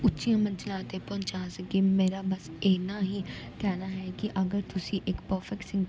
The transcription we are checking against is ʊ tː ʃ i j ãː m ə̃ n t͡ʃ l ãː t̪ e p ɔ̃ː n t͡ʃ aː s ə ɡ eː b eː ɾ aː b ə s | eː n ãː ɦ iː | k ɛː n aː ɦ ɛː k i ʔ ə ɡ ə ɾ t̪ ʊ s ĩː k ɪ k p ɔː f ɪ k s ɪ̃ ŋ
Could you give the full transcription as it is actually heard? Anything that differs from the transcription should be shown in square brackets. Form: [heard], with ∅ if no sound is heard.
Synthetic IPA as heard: ʊ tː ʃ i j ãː m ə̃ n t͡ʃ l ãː t̪ e p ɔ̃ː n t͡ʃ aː s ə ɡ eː [m] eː ɾ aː b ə s | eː n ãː ɦ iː | k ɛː n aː ɦ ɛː k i ʔ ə ɡ ə ɾ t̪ ʊ s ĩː [ʔ] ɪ k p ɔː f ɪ k s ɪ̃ ŋ